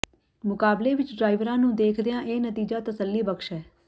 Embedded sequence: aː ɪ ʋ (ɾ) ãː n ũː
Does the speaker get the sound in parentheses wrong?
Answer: no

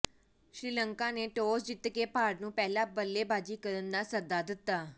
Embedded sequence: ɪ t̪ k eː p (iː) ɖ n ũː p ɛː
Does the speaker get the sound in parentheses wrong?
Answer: yes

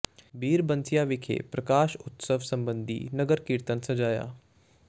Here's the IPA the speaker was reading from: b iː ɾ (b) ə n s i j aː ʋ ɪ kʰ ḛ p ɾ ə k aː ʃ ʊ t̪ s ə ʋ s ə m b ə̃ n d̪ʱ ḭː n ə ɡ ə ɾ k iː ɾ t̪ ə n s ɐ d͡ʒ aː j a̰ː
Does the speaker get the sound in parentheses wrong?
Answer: no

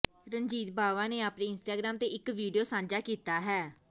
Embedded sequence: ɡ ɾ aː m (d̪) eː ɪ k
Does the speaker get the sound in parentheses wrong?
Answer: yes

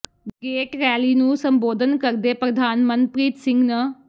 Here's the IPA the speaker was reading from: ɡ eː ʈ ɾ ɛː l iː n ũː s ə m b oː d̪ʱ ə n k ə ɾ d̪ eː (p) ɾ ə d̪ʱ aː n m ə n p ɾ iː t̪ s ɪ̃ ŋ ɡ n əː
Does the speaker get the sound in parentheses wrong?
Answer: no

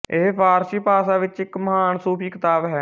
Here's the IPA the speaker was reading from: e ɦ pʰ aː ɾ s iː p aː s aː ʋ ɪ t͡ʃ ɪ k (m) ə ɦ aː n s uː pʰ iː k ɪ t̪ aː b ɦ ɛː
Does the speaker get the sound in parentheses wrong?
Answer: no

